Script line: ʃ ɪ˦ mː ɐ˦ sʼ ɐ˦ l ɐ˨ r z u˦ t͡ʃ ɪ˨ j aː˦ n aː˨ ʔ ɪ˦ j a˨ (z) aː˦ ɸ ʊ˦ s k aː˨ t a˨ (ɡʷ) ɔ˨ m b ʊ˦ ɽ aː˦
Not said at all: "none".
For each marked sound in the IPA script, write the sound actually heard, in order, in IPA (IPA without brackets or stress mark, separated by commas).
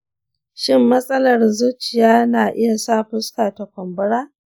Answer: s, kʷ